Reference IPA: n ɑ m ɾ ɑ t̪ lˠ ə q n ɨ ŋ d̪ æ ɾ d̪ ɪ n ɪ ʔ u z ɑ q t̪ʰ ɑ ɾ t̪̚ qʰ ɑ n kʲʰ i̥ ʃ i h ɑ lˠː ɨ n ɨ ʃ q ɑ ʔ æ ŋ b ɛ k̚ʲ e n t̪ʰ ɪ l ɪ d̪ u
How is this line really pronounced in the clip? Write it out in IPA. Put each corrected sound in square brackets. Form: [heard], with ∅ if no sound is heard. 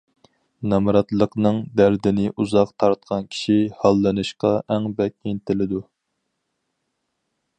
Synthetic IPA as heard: n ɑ m ɾ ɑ t̪ lˠ ə q n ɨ ŋ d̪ æ ɾ d̪ ɪ n ɪ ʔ u z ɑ q t̪ʰ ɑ ɾ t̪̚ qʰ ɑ n kʲʰ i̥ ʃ i h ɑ lˠː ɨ n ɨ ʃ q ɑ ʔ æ ŋ b ɛ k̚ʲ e n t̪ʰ ɪ l ɪ d̪ u